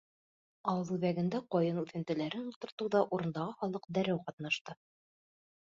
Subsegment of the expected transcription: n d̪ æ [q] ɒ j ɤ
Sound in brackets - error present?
no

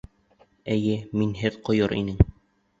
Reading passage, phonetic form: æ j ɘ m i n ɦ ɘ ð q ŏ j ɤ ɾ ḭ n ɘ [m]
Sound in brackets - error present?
yes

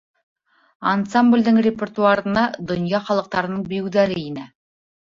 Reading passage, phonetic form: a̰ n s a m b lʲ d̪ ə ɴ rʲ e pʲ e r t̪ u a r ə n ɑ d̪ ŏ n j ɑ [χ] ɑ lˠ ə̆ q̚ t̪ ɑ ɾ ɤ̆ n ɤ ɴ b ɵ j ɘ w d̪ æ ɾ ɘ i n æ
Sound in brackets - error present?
no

